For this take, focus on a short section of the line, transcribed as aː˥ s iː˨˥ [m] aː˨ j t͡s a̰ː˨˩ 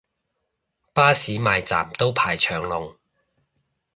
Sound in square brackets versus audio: correct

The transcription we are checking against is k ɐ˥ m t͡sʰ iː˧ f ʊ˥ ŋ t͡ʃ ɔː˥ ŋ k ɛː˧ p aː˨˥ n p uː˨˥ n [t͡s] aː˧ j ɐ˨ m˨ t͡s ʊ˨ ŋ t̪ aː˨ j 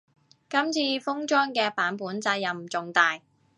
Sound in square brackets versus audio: correct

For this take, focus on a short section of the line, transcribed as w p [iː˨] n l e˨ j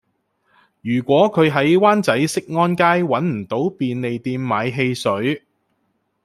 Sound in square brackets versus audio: correct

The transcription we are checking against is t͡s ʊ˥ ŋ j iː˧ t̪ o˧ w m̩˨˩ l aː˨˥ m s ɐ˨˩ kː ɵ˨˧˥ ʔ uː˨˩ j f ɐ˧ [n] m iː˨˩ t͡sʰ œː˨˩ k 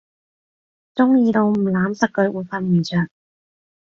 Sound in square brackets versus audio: correct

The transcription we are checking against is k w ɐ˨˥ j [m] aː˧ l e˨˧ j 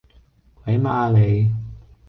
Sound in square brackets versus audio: correct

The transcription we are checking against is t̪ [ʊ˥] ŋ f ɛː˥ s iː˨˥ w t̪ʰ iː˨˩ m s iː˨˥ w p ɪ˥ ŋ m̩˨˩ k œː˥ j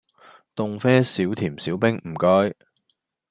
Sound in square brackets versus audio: incorrect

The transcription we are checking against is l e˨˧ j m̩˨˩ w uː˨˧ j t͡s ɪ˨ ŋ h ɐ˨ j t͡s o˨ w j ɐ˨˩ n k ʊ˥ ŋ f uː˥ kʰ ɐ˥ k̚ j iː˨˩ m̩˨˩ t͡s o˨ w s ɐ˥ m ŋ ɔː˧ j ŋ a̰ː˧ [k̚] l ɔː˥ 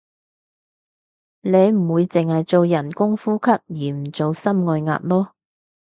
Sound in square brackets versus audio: incorrect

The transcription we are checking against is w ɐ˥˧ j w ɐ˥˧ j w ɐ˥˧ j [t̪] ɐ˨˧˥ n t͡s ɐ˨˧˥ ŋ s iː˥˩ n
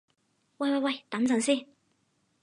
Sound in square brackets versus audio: correct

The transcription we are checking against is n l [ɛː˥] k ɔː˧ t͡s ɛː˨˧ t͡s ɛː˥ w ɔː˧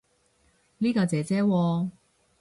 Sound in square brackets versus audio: incorrect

